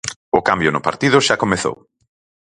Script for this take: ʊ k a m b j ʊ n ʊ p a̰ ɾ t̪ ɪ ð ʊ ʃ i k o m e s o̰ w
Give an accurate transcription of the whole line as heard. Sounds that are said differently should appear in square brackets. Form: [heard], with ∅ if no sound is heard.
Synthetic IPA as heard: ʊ k a m b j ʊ n ʊ p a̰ ɾ t̪ [i] ð ʊ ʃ [a] k o m e [θ] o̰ w